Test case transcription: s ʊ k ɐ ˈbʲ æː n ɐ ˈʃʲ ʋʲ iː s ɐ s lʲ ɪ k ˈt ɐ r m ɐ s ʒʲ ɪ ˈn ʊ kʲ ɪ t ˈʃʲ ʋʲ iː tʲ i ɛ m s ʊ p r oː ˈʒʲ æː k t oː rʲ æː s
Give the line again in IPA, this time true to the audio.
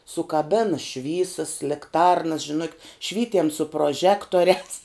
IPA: s ʊ k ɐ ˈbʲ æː n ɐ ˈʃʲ ʋʲ iː s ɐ s lʲ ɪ k ˈt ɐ r n ɐ s ʒʲ ɪ ˈn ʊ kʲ ɪ t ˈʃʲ ʋʲ iː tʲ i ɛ m s ʊ p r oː ˈʒʲ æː k t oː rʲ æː s